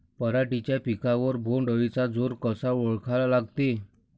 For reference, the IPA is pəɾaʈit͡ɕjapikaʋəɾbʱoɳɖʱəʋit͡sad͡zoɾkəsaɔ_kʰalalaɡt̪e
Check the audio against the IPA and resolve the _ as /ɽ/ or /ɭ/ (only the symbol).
ɭ